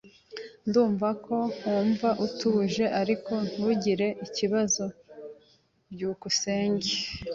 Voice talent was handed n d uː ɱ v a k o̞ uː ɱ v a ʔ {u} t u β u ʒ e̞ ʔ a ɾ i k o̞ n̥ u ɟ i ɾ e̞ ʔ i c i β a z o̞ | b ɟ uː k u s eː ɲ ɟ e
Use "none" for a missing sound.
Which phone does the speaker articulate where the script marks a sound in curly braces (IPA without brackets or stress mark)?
u